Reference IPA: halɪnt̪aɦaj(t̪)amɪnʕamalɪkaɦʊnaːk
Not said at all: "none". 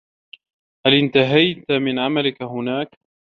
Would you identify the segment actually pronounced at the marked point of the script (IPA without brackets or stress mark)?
t̪